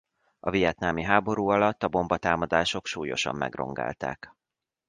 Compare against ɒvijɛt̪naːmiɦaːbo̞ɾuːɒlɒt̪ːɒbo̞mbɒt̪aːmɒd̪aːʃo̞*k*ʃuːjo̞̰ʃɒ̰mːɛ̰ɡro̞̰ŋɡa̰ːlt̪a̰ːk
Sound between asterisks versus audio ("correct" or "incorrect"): correct